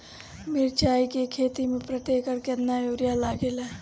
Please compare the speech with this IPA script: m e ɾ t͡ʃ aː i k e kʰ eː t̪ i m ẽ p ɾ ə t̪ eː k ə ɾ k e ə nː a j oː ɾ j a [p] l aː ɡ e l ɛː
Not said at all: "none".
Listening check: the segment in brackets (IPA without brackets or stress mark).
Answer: none